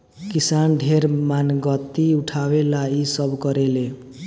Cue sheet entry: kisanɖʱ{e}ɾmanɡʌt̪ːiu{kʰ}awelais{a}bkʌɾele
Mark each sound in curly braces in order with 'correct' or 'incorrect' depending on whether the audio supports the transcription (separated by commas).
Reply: correct, incorrect, incorrect